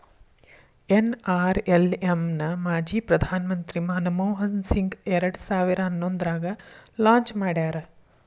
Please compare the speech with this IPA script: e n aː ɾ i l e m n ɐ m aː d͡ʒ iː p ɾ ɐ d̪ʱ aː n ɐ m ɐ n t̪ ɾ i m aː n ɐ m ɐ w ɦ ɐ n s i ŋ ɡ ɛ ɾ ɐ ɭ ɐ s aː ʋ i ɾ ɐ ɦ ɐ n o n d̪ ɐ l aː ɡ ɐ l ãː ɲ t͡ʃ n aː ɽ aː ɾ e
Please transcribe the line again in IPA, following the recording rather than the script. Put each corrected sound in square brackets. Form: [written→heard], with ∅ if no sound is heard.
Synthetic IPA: e n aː ɾ [i→e] l e m n ɐ m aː d͡ʒ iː p ɾ ɐ d̪ʱ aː n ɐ m ɐ n t̪ ɾ i m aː n ɐ m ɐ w ɦ ɐ n s i ŋ ɡ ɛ ɾ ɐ [ɭ→ɽ] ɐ s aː ʋ i ɾ ɐ ɦ ɐ [n→nː] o n d̪ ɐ [l→ɾ] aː ɡ ɐ l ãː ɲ t͡ʃ [n→m] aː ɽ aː ɾ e